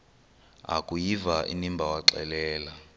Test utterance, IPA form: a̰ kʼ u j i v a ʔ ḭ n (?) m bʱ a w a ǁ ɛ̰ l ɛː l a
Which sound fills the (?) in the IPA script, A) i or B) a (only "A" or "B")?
A